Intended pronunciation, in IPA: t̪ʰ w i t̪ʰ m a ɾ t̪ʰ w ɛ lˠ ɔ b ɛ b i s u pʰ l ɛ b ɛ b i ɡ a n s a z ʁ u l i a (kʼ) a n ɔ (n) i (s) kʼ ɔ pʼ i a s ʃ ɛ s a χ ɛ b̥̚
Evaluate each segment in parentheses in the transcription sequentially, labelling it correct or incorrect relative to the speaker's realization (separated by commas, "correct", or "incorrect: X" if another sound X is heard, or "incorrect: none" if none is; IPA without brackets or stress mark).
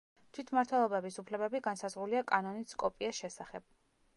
correct, correct, correct